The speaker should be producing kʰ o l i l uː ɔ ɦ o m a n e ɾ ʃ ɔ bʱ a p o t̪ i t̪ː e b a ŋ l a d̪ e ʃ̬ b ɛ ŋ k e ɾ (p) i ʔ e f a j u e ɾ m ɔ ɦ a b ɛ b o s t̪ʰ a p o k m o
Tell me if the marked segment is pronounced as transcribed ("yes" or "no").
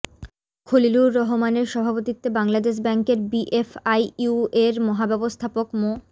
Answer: no